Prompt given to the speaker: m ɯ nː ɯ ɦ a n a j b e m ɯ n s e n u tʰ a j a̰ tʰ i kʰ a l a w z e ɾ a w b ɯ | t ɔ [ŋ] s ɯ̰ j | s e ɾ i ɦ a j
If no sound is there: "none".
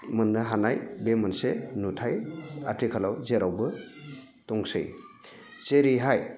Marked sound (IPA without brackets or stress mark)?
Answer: ŋ